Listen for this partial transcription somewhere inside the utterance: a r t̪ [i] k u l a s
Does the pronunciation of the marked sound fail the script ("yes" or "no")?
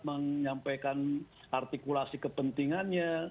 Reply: no